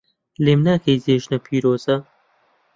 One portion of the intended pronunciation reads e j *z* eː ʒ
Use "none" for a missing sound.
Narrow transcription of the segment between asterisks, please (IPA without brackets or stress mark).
z